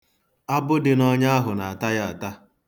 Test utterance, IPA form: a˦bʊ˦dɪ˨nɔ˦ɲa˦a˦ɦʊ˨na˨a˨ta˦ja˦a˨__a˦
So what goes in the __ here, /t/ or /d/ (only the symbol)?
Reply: t